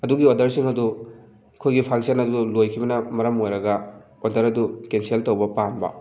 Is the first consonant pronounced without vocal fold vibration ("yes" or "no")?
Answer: no